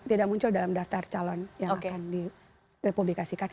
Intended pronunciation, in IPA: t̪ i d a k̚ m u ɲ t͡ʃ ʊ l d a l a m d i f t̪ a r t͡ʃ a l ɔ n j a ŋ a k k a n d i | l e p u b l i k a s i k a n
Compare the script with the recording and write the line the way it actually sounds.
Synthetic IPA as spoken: t̪ i d a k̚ m u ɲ t͡ʃ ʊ l d a l a m d a f t̪ a r t͡ʃ a l ɔ n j a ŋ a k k a n d i | r e p u b l i k a s i k a n